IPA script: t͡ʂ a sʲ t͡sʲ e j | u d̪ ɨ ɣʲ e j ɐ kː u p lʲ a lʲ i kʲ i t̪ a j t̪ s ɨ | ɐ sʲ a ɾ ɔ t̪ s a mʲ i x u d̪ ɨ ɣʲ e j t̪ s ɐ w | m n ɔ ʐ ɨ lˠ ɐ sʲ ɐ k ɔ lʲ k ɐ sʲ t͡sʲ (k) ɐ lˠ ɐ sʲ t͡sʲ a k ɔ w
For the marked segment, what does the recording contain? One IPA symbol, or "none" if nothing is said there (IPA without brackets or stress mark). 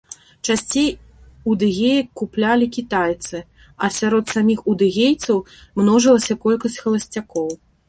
x